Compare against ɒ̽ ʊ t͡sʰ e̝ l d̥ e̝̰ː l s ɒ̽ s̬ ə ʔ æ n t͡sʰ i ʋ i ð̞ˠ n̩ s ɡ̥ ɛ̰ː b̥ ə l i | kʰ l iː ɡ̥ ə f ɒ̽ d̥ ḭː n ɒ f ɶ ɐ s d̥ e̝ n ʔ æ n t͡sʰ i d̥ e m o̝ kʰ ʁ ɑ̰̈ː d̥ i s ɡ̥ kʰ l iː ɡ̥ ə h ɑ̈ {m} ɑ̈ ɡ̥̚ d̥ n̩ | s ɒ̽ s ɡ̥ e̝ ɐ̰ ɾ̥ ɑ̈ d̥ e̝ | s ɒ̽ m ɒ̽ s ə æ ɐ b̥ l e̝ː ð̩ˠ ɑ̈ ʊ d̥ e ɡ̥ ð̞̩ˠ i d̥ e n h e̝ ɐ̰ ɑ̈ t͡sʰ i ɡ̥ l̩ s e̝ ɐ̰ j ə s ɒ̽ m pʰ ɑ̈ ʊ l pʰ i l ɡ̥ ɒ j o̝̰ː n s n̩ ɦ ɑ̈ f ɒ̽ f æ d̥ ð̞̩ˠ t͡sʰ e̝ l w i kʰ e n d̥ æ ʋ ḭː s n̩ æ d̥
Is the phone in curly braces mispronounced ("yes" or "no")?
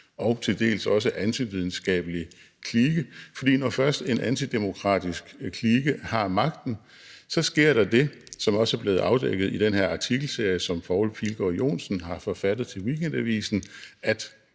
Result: no